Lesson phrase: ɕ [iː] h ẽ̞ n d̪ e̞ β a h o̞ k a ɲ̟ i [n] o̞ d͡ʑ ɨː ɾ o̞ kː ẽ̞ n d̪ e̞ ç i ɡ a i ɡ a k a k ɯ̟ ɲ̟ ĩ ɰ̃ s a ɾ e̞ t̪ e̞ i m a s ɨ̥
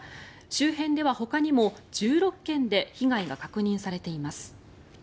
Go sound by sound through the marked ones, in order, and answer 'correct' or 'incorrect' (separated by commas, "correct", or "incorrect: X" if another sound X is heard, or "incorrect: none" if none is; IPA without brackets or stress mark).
incorrect: ɨː, incorrect: m